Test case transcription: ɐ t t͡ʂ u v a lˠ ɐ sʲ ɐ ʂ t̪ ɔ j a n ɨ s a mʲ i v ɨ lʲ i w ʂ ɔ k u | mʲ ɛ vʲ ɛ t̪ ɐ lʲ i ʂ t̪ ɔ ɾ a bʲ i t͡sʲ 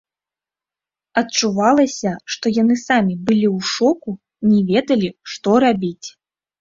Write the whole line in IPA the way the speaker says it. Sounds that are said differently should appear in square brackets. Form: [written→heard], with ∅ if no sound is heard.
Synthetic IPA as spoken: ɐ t t͡ʂ u v a lˠ ɐ sʲ ɐ ʂ t̪ ɔ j a n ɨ s a mʲ i [v→b] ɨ lʲ i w ʂ ɔ k u | [mʲ→nʲ] ɛ vʲ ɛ [t̪→d̪] ɐ lʲ i ʂ t̪ ɔ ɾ a bʲ i t͡sʲ